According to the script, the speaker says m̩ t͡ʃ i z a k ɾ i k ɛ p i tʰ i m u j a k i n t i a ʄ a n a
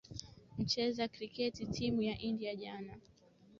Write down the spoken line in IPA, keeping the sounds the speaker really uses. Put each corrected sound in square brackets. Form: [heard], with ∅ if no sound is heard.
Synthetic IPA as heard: m̩ t͡ʃ [ɛ] z a k ɾ i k ɛ [t] i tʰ i m u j a [ʔ] i n [d] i a ʄ a n a